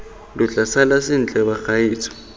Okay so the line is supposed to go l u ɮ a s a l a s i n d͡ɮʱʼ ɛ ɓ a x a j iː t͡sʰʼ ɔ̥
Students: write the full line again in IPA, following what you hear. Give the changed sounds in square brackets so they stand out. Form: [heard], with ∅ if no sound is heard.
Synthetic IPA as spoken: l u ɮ a s a l a s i n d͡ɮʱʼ ɛ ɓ a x a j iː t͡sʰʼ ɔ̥